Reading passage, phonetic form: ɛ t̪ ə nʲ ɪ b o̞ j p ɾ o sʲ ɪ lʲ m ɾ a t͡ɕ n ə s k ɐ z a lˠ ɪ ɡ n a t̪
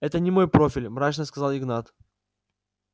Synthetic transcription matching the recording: ɛ t̪ ə nʲ ɪ m o̞ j p ɾ o fʲ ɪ lʲ m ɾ a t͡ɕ n ə s k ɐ z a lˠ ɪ ɡ n a t̪